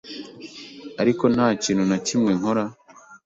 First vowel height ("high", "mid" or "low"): low